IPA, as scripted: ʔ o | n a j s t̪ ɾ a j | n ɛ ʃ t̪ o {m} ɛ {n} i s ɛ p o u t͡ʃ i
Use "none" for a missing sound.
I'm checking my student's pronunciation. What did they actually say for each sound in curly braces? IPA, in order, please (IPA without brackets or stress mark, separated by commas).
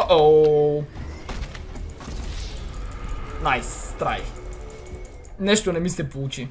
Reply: n, m